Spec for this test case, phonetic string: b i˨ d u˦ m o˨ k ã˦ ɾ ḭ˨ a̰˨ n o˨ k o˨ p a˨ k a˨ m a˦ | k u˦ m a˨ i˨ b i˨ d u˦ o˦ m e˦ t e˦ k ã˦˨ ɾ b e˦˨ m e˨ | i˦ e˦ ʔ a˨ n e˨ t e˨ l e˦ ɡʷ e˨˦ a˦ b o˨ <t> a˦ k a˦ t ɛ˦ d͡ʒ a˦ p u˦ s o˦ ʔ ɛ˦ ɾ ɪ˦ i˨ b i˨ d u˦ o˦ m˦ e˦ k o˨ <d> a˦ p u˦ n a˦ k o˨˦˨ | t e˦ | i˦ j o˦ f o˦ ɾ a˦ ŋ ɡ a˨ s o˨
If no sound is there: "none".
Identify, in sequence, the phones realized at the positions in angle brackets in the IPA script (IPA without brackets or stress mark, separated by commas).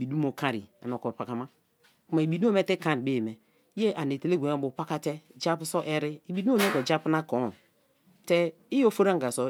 p, d͡ʒ